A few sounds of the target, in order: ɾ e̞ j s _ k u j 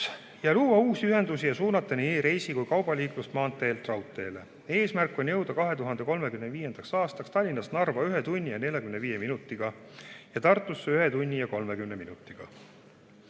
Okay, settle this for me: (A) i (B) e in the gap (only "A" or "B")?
A